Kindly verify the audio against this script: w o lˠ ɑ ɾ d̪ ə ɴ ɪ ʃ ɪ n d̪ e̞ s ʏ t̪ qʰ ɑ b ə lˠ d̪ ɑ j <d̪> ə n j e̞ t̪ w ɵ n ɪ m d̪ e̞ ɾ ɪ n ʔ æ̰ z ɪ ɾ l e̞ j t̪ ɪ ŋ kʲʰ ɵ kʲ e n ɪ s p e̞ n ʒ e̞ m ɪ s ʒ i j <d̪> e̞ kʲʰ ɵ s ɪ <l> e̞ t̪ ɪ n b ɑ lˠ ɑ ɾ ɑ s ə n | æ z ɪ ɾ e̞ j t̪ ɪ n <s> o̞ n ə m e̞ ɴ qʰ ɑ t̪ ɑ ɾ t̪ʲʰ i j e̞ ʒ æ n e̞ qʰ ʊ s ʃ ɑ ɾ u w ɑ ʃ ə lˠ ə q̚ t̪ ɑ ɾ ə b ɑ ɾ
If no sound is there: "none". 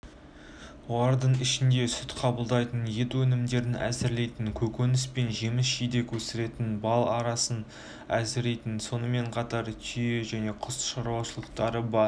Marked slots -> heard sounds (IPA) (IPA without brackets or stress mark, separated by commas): t̪, d̪, ɾ, s